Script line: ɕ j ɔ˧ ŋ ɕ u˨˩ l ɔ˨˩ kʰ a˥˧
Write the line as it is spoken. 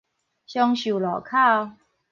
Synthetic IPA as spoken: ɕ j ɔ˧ ŋ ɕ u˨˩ l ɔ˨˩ kʰ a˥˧